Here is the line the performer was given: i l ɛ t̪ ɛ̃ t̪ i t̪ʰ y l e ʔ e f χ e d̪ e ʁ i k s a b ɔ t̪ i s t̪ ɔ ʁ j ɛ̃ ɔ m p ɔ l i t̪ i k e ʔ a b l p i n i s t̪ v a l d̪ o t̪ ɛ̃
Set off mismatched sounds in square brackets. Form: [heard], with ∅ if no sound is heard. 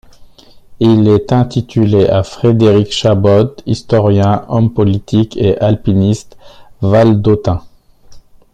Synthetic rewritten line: i l ɛ t̪ ɛ̃ t̪ i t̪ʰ y l e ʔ [a] f χ e d̪ e ʁ i k [ʃ] a b ɔ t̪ i s t̪ ɔ ʁ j ɛ̃ ɔ m p ɔ l i t̪ i k e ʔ a [∅] l p i n i s t̪ v a l d̪ o t̪ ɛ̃